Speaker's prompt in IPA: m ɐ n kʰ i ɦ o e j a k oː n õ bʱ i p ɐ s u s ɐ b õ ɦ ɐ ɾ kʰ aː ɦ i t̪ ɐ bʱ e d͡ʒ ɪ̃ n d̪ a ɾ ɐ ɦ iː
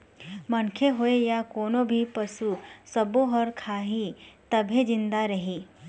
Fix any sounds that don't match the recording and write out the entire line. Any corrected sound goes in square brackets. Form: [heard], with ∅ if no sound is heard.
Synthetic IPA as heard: m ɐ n kʰ [e] ɦ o e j a k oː n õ bʱ i p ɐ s u s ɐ b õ ɦ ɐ ɾ kʰ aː ɦ i t̪ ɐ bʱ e d͡ʒ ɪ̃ n d̪ a ɾ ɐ ɦ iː